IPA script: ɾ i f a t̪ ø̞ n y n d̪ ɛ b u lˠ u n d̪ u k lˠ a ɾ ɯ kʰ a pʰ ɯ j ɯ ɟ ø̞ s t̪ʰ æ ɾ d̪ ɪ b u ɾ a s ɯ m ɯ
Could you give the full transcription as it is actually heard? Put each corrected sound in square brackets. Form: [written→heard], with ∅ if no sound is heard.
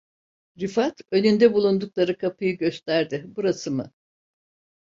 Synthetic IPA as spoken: ɾ i f a t̪ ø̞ n y n d̪ ɛ b u lˠ u n d̪ u k lˠ a ɾ ɯ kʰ a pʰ ɯ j ɯ ɟ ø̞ s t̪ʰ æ ɾ d̪ ɪ b u ɾ a s ɯ m ɯ